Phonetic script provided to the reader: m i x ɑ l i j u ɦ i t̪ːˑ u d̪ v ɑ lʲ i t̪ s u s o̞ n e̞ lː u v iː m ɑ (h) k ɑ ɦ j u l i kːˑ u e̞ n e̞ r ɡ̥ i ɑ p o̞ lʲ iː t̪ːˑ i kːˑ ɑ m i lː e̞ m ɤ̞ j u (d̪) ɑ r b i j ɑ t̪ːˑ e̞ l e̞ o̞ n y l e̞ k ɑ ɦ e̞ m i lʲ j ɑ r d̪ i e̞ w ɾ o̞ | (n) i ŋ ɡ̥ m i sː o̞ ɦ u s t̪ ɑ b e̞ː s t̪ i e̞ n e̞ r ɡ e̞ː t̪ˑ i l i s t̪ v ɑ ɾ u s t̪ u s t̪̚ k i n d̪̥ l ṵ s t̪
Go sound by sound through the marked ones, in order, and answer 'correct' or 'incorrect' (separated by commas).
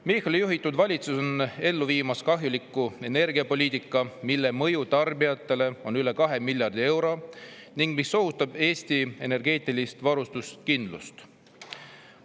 incorrect, incorrect, correct